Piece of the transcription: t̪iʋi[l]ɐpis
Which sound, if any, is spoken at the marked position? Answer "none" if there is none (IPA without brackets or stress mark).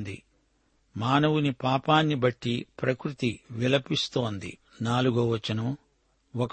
l